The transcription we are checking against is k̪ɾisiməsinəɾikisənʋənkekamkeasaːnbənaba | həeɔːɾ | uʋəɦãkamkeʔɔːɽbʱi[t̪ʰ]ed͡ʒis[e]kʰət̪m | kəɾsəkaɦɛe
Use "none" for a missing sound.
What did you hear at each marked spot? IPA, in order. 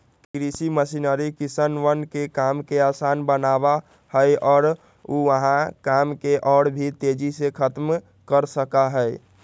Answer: t̪, e

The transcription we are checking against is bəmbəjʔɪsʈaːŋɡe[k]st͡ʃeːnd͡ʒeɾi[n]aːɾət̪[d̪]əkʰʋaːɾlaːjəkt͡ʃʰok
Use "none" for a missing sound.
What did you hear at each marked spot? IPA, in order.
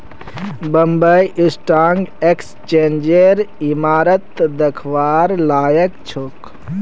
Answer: k, m, d̪

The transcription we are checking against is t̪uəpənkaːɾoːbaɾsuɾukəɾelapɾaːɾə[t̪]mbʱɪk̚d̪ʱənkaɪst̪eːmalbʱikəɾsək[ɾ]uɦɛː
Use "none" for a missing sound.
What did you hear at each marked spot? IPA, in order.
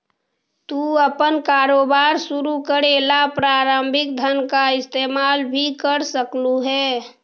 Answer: none, l

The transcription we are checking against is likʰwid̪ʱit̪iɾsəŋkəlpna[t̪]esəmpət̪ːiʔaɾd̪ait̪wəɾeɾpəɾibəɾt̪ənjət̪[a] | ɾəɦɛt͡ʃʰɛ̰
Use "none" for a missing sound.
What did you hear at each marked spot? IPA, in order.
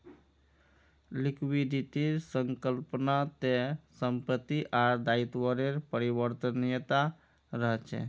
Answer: t̪, a

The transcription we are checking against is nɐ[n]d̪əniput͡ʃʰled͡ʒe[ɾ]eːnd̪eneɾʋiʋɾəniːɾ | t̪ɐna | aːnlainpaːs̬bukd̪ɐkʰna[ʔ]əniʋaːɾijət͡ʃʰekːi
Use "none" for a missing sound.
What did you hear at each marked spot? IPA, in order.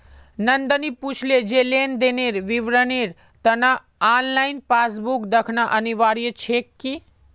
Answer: n, l, ʔ

